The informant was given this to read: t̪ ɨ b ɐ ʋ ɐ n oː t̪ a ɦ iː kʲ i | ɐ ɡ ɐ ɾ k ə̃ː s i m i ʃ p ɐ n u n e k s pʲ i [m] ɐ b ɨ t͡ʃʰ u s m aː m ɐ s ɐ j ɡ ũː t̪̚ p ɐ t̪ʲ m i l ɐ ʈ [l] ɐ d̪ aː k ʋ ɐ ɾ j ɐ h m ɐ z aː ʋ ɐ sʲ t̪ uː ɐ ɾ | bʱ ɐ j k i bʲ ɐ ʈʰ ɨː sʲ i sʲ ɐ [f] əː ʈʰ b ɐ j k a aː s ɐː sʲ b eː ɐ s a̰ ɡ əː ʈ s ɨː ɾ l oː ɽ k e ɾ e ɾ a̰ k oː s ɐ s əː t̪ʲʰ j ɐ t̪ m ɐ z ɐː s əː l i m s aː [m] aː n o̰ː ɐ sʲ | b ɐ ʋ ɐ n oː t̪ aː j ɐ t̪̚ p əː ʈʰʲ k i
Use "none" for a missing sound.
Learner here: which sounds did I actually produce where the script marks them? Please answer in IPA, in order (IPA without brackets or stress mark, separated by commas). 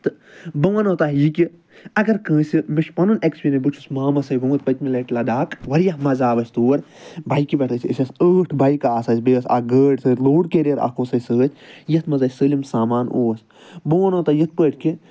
n, l, s, m